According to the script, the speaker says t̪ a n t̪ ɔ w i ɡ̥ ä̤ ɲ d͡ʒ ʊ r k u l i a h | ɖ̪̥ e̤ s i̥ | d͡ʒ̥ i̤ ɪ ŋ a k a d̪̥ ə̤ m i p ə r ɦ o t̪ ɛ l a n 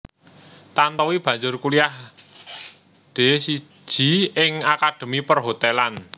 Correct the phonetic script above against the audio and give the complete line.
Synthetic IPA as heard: t̪ a n t̪ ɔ w i b̥ ä̤ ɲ d͡ʒ ʊ r k u l i a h | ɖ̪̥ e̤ s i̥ | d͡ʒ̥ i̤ ɪ ŋ a k a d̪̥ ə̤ m i p ə r ɦ o t̪ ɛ l a n